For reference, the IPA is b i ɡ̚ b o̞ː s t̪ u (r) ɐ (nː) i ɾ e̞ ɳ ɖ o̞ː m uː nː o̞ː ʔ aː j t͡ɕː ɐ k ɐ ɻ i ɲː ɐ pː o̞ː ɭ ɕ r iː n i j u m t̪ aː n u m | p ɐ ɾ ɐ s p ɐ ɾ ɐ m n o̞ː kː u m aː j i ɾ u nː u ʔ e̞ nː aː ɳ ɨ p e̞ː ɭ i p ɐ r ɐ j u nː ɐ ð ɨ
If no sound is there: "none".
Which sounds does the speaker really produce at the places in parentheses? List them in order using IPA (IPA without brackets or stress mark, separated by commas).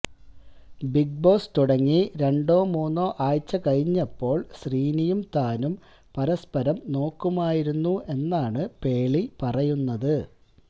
ɽ, ŋː